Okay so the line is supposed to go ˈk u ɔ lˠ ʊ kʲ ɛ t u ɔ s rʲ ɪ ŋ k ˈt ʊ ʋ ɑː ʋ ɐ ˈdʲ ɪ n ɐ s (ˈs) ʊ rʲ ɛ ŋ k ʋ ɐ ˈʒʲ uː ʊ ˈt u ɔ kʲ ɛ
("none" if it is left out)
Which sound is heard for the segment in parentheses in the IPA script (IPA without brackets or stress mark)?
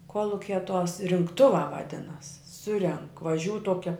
s